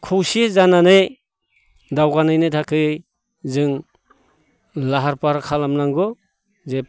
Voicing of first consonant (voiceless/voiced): voiceless